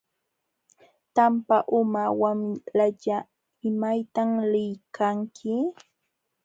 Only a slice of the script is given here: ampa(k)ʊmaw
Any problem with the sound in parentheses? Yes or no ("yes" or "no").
yes